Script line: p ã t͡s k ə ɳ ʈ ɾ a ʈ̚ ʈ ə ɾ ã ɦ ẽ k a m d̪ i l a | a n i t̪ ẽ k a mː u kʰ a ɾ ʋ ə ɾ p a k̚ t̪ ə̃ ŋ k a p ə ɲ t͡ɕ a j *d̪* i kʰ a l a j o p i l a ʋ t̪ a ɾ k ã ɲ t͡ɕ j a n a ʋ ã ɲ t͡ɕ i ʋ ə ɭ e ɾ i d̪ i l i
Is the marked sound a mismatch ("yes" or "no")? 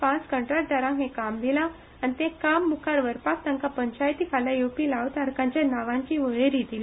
yes